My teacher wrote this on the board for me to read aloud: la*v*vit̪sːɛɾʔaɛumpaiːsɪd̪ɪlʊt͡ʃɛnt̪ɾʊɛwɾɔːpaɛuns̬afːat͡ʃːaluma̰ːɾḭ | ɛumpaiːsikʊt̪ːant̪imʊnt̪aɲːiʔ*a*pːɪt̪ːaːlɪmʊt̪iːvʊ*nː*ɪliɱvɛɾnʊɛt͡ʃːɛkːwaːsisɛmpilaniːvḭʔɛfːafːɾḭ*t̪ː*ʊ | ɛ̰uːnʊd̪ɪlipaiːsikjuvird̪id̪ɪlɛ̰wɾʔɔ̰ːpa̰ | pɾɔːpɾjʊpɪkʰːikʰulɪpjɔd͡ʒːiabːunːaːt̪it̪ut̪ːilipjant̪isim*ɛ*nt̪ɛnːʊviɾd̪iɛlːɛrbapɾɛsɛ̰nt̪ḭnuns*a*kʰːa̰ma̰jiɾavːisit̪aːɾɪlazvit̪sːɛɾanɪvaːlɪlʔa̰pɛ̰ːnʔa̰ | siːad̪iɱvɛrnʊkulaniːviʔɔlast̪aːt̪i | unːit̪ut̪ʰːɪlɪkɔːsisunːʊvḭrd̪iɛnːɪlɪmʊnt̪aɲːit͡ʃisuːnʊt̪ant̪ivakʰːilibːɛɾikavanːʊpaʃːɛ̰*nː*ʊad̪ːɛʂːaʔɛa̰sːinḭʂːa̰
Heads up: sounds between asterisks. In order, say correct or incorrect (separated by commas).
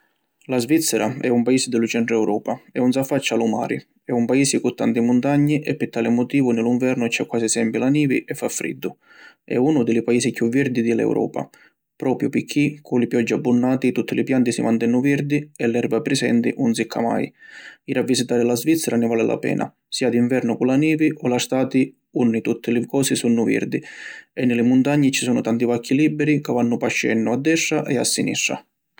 incorrect, incorrect, incorrect, incorrect, incorrect, incorrect, correct